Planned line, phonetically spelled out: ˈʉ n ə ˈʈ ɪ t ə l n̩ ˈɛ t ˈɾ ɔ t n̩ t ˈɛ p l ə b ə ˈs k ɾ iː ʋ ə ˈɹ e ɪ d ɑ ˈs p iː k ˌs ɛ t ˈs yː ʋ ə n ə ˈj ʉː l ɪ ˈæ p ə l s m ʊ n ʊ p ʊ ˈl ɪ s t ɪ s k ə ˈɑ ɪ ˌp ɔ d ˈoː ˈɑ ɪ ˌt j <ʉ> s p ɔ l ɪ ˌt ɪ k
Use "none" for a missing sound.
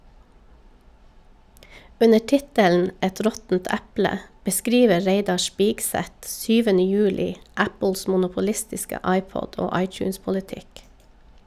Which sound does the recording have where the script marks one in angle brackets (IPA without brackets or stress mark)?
ʉː